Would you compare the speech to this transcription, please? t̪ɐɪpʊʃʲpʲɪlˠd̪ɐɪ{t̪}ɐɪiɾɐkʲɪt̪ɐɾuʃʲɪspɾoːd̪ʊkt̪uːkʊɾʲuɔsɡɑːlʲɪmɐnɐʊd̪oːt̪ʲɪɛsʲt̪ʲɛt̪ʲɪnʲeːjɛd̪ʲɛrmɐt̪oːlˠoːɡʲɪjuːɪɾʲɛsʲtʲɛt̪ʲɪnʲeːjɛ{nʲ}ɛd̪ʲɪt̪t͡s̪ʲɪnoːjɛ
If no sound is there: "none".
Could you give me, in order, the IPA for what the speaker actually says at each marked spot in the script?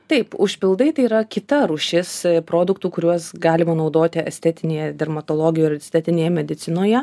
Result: t̪, mʲ

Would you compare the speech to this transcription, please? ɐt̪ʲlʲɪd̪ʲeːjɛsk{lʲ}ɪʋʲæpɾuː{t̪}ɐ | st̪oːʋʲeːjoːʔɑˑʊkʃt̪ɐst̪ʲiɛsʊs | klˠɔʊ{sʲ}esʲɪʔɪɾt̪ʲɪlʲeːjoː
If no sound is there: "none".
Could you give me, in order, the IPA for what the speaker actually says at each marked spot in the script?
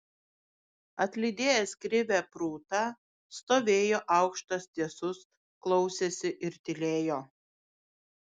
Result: ɾʲ, t̪, sʲ

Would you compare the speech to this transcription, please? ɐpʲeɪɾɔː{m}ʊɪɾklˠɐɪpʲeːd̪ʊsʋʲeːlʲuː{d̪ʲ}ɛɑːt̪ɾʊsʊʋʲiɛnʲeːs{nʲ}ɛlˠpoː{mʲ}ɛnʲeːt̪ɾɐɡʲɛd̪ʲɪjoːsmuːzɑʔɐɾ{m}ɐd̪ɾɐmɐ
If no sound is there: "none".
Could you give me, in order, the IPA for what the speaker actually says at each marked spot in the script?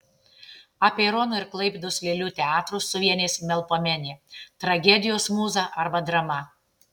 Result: n, t̪ʲ, mʲ, mʲ, b

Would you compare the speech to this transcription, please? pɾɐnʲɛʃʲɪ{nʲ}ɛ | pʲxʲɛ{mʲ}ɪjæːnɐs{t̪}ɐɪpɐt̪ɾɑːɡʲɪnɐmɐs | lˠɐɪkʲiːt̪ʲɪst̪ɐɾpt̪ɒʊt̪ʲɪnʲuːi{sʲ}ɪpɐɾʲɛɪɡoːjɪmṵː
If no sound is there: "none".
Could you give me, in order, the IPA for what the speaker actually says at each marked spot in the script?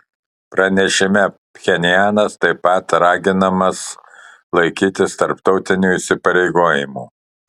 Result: mʲ, nʲ, t̪, sʲ

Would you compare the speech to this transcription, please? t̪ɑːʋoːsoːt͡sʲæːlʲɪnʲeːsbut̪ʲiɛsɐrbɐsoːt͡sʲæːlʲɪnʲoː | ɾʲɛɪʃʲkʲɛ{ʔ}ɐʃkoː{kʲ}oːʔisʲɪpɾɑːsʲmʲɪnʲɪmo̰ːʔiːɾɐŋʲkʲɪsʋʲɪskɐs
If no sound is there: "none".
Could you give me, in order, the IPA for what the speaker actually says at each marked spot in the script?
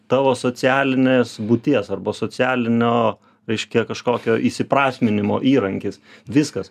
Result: k, kʲ

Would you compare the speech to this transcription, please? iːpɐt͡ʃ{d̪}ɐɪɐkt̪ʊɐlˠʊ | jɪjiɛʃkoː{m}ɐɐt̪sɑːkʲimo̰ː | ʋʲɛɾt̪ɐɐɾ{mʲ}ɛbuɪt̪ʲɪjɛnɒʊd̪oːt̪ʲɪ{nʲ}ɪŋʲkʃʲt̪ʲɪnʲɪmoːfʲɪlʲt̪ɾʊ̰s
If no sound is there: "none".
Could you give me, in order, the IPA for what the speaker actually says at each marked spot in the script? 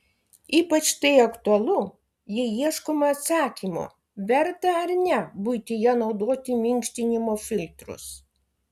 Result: t̪, m, nʲ, mʲ

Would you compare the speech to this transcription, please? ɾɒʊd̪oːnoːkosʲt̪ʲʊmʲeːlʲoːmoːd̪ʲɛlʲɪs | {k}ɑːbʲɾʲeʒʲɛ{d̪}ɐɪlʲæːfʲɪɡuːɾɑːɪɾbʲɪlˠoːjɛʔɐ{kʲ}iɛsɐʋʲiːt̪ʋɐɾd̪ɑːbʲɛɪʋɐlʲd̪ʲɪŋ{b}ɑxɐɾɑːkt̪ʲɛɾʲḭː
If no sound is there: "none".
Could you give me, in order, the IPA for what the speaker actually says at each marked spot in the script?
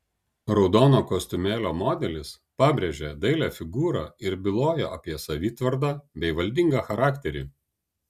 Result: p, d̪, pʲ, ɡ

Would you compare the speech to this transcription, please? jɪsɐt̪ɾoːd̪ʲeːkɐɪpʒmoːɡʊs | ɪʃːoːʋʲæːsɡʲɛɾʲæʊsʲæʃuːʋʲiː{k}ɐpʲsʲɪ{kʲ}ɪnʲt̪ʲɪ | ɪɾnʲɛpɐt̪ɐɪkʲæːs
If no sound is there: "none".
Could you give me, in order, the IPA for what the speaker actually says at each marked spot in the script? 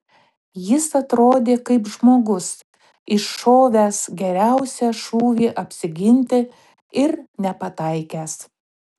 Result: ʔ, ɡʲ

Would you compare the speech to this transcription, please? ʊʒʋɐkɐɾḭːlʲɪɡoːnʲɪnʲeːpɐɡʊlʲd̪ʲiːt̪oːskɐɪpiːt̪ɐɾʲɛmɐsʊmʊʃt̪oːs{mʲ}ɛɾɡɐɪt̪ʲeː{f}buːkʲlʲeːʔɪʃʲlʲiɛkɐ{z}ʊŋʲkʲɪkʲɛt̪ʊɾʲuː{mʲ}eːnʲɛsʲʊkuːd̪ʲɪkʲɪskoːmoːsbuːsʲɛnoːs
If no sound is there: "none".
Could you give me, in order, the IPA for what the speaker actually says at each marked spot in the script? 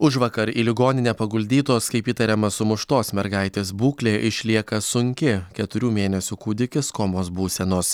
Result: mʲ, s, s, mʲ

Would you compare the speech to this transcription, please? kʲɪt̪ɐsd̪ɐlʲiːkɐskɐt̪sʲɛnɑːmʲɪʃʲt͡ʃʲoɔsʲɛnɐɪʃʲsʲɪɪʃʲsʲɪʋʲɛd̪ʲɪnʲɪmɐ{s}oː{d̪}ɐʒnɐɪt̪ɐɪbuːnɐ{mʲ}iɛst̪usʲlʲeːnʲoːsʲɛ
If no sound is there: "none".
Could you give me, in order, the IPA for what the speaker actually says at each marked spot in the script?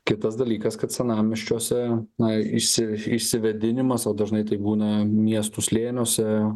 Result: s, d̪, mʲ

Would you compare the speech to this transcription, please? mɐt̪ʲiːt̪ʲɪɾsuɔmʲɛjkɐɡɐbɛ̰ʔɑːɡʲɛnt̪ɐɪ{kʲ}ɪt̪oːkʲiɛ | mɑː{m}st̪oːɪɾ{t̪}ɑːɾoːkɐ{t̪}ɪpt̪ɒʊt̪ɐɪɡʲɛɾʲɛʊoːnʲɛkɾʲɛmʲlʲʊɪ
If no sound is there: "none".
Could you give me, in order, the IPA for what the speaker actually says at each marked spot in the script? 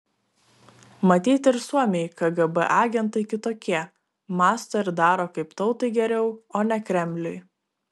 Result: kʲ, none, d̪, none

